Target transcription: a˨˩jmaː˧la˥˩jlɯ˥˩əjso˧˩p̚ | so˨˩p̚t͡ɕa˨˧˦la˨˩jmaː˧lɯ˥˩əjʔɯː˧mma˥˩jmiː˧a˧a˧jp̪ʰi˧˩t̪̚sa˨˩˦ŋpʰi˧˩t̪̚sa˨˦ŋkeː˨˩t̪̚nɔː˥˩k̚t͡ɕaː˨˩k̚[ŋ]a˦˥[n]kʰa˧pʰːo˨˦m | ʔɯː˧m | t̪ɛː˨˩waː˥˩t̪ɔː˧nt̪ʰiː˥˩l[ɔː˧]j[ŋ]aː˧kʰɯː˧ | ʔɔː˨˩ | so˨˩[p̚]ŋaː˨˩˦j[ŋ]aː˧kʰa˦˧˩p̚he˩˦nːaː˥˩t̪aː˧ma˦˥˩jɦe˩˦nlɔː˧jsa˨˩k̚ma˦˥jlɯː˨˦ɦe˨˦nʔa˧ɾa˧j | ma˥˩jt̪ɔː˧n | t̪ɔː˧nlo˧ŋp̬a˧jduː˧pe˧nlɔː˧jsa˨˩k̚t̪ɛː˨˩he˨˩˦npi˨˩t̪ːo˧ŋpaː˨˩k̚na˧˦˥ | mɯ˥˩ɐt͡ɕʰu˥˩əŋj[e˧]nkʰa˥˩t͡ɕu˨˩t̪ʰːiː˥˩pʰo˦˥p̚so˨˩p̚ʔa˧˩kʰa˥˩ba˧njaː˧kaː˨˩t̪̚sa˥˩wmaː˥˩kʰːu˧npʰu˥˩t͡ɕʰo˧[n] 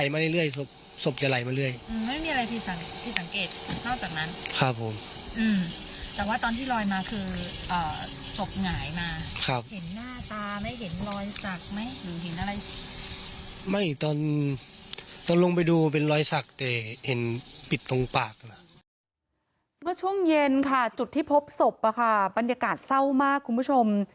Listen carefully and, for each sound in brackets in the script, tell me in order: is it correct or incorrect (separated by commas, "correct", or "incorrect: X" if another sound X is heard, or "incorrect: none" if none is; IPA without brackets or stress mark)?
incorrect: n, correct, correct, incorrect: m, correct, incorrect: m, correct, incorrect: m